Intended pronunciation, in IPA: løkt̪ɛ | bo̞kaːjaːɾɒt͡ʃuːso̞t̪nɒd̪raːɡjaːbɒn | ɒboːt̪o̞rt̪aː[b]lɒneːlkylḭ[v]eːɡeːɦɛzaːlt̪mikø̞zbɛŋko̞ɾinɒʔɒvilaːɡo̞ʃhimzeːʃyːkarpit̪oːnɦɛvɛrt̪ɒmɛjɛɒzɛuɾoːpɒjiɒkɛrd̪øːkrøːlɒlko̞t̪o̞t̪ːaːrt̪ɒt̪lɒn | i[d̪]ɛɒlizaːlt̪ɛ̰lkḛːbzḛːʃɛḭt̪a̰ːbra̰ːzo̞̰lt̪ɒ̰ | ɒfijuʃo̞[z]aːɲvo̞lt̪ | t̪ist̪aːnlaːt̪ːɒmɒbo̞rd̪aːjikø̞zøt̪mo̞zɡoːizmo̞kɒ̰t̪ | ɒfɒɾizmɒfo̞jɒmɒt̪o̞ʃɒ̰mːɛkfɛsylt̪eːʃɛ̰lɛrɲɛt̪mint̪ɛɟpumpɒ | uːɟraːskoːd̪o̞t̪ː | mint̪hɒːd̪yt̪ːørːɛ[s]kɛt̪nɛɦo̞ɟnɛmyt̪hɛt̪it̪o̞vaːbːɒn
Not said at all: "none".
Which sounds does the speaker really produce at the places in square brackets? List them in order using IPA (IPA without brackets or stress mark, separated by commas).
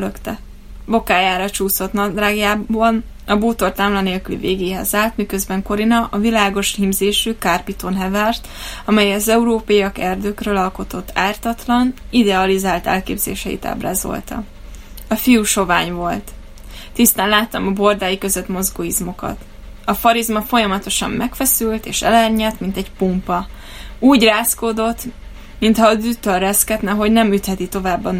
m, v, d̪, v, s